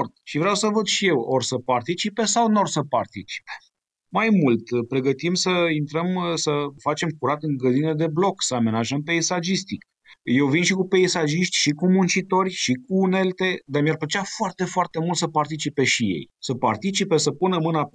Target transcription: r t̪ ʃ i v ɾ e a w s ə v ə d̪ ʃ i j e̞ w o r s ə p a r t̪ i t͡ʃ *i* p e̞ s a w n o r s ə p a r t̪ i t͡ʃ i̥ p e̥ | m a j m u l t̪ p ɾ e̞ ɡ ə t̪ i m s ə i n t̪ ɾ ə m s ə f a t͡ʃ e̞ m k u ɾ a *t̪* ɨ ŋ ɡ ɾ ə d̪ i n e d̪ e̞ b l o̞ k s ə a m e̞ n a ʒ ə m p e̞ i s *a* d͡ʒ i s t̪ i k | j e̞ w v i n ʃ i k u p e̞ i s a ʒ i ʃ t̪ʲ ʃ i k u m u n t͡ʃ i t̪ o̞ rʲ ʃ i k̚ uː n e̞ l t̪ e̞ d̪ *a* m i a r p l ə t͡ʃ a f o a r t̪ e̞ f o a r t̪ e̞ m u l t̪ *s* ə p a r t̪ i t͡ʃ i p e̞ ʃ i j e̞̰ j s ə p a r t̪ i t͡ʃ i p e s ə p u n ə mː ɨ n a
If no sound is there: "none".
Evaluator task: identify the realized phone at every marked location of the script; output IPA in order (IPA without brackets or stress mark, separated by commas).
i, t̪, a, a, s